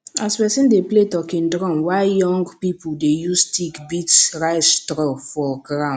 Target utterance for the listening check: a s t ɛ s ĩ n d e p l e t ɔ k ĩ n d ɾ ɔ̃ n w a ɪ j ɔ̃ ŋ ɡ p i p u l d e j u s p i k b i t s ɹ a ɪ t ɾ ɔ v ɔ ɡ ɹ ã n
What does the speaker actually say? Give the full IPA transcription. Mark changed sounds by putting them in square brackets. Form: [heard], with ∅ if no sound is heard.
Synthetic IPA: a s [p] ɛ s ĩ n d e p l e t ɔ k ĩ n d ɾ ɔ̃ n w a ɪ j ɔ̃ ŋ ɡ p i p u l d e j u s [t] i k b i t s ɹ a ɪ t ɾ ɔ [f] ɔ ɡ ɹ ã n